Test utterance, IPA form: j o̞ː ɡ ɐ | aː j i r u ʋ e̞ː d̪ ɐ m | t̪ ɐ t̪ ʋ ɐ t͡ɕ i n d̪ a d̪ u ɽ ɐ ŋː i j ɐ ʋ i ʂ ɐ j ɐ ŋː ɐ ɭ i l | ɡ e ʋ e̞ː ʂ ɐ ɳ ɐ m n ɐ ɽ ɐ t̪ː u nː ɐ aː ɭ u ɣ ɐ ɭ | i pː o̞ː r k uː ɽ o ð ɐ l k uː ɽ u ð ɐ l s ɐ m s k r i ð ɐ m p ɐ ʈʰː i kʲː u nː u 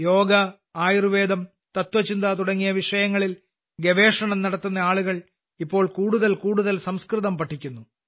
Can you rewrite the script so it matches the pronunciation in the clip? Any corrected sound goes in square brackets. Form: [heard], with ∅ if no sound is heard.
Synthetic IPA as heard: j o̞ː ɡ ɐ | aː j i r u ʋ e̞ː d̪ ɐ m | t̪ ɐ t̪ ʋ ɐ t͡ɕ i n d̪ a [t̪] u ɽ ɐ ŋː i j ɐ ʋ i ʂ ɐ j ɐ ŋː ɐ ɭ i l | ɡ e ʋ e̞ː ʂ ɐ ɳ ɐ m n ɐ ɽ ɐ t̪ː u nː ɐ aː ɭ u ɣ ɐ ɭ | i pː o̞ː [ɭ] k uː ɽ [u] ð ɐ l k uː ɽ u ð ɐ l s ɐ m s k r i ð ɐ m p ɐ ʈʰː i kʲː u nː u